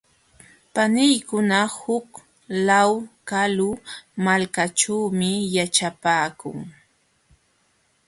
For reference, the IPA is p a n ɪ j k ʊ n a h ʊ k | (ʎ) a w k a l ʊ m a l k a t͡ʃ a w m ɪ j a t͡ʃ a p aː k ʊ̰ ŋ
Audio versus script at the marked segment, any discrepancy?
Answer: yes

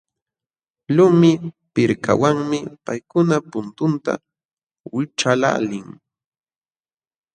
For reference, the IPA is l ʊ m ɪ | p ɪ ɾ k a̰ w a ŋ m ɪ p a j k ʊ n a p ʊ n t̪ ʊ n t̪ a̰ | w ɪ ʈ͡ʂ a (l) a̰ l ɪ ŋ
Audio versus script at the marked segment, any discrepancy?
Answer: no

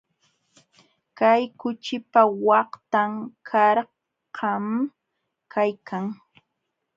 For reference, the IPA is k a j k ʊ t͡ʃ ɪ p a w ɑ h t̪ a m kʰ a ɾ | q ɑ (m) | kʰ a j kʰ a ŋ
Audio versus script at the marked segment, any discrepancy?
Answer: no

